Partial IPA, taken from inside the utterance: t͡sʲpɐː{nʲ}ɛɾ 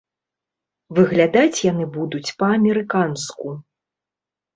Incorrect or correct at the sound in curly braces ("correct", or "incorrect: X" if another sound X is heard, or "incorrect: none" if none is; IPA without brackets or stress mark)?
incorrect: mʲ